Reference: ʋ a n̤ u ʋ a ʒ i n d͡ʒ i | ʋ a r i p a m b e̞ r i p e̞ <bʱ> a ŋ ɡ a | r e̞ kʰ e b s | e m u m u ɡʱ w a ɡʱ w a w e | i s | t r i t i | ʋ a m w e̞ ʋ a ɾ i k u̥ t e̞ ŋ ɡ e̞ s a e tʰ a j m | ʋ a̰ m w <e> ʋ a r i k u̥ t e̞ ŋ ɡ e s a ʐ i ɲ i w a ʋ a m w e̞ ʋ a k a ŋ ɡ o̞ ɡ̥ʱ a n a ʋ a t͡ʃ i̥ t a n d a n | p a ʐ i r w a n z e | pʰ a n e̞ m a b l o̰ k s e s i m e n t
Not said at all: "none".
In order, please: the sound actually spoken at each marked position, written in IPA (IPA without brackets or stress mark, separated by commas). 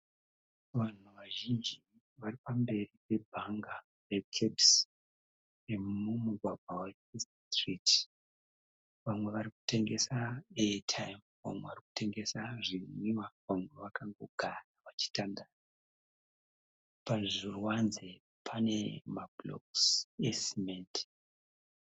bʱ, e